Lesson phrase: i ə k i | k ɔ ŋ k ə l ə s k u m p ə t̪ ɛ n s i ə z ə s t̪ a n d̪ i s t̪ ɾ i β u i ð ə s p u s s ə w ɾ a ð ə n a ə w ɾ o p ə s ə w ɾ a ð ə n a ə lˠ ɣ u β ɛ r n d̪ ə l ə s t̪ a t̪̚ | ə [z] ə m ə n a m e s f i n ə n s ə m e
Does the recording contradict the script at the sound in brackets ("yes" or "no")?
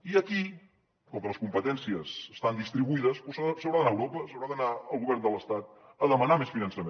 yes